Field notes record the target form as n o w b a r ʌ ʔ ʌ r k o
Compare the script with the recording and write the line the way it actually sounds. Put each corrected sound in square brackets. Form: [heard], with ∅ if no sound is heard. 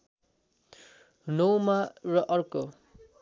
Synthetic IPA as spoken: n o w [m] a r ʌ ʔ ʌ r k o

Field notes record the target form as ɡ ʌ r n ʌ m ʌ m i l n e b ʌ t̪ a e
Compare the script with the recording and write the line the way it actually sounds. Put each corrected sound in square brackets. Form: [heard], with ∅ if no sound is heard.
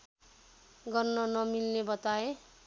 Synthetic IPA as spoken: ɡ ʌ r n ʌ [n] ʌ m i l n e b ʌ t̪ a e

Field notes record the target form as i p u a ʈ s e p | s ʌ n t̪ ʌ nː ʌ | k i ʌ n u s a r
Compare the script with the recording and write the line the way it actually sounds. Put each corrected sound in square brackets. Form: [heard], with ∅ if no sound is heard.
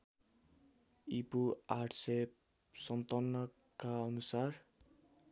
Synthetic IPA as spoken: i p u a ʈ s e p | s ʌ n t̪ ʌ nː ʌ | k [a] ʌ n u s a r

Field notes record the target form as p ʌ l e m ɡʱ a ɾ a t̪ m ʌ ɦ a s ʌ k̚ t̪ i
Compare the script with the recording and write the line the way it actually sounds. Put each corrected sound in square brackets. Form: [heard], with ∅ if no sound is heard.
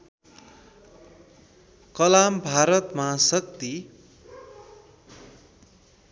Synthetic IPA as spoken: [k] ʌ l [a] m [bʱ] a ɾ [ʌ] t̪ m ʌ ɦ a s ʌ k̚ t̪ i

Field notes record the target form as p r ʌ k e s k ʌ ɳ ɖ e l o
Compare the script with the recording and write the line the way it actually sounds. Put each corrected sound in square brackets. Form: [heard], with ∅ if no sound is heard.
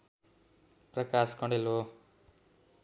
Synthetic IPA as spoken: p r ʌ k [a] s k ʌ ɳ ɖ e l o

